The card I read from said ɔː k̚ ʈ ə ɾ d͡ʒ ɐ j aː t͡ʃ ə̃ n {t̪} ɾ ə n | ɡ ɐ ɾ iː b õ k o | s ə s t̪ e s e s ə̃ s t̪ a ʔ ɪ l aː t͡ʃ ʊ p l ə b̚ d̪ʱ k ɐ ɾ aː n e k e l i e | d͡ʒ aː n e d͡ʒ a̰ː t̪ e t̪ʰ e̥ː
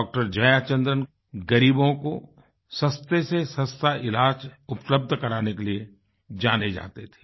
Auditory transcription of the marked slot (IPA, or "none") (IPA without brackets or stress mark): d̪